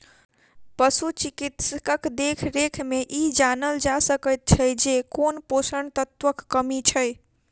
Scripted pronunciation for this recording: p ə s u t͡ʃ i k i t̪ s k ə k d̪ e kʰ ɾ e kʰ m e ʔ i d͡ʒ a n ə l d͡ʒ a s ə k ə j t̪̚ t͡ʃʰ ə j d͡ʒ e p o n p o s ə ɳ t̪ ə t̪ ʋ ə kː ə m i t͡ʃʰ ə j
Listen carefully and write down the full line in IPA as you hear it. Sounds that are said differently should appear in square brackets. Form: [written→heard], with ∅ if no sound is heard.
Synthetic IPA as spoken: p ə s u t͡ʃ i k i t̪ s k ə k d̪ e kʰ ɾ e kʰ m e ʔ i d͡ʒ a n ə l d͡ʒ a s ə k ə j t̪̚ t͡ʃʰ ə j d͡ʒ e [p→k] o n p o s ə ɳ t̪ ə t̪ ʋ ə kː ə m i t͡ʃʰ ə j